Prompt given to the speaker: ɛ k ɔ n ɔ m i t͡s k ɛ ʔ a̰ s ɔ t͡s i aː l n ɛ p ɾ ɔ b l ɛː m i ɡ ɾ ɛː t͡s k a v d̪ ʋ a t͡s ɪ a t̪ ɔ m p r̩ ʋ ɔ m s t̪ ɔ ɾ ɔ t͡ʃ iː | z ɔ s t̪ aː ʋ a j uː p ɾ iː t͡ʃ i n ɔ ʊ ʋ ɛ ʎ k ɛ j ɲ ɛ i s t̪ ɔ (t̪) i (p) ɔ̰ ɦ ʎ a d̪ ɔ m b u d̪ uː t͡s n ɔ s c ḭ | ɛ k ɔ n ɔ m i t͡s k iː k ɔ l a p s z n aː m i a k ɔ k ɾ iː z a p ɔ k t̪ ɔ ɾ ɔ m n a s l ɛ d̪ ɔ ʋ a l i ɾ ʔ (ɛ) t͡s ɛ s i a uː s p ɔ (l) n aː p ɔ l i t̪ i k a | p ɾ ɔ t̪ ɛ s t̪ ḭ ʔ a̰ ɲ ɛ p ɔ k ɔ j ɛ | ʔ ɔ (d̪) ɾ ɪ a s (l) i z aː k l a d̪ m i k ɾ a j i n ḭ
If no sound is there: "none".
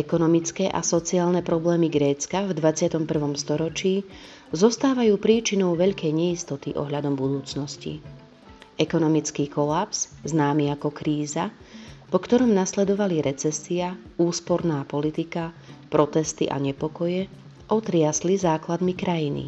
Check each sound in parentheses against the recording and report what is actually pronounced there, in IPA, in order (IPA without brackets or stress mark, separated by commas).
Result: t̪, ʔ, ɛ, ɾ, t̪, l